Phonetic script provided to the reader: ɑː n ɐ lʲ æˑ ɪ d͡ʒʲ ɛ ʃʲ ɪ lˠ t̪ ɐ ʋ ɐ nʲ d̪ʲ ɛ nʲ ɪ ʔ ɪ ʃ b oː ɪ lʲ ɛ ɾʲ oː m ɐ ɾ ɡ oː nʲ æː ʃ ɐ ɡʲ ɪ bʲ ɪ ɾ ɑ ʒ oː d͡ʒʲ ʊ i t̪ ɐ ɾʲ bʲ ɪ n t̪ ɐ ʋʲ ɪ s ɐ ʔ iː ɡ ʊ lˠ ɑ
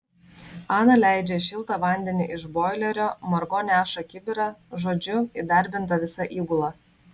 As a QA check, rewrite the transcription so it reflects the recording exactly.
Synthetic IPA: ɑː n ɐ lʲ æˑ ɪ d͡ʒʲ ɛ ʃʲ ɪ lˠ t̪ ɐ ʋ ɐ nʲ d̪ʲ ɛ nʲ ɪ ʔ ɪ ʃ b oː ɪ lʲ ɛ ɾʲ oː m ɐ ɾ ɡ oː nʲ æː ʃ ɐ kʲ ɪ bʲ ɪ ɾ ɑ ʒ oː d͡ʒʲ ʊ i d̪ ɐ ɾʲ bʲ ɪ n t̪ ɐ ʋʲ ɪ s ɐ ʔ iː ɡ ʊ lˠ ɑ